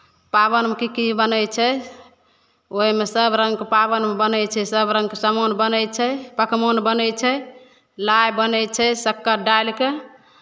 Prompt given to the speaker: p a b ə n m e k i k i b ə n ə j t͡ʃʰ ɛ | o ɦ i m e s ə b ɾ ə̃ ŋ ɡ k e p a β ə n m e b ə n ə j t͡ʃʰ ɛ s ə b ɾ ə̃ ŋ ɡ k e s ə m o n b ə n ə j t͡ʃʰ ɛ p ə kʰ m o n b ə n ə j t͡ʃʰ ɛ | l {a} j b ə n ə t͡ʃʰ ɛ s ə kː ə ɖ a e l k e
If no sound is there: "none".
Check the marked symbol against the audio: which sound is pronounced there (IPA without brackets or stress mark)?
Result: a